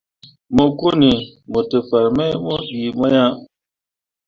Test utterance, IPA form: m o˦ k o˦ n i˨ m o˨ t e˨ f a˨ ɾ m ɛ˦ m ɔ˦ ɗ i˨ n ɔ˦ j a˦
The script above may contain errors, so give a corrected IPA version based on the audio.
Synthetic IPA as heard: m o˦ k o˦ n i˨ m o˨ t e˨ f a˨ ɾ m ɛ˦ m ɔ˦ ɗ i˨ m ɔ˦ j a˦